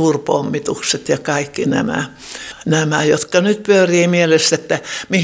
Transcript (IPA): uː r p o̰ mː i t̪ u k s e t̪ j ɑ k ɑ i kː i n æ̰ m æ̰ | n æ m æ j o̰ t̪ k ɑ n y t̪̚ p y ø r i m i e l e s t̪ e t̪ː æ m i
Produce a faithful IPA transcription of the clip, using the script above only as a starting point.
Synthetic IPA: uː r p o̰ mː i t̪ u k s e t̪ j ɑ k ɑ i kː i n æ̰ m æ̰ | n æ m æ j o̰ t̪ k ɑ n y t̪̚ p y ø r iː m i e l e s t̪ e t̪ː æ m i